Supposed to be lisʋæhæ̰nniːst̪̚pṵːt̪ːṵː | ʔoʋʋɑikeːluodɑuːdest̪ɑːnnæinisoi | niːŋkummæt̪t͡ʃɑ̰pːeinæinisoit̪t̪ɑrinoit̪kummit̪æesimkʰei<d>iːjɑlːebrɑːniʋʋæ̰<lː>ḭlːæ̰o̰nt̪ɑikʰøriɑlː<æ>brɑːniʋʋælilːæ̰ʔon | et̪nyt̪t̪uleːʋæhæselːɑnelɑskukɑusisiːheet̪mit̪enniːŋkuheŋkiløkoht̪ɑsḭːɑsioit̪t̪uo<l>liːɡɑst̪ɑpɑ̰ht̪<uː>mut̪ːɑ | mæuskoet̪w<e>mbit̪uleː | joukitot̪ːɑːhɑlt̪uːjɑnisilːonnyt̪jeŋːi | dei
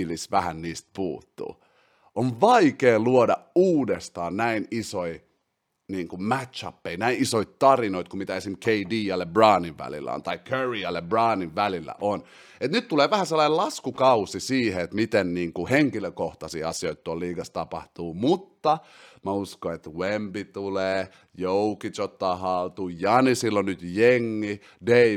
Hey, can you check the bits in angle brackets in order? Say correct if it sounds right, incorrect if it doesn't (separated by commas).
correct, incorrect, incorrect, correct, correct, correct